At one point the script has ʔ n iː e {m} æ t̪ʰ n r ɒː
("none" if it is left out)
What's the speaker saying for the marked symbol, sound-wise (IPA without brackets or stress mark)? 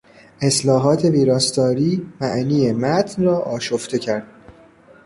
m